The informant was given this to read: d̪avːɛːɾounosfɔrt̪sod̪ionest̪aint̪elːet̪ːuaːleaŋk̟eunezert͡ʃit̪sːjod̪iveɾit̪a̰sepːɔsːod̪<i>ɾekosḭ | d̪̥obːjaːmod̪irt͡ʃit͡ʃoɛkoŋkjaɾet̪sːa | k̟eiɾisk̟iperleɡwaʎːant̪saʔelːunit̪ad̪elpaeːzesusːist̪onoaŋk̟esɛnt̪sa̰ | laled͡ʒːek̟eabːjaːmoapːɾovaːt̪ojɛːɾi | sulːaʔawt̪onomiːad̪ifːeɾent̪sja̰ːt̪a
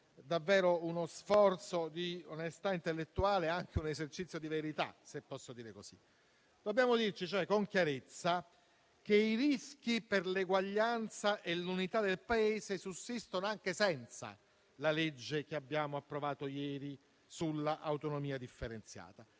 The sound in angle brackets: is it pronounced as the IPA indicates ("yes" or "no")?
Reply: no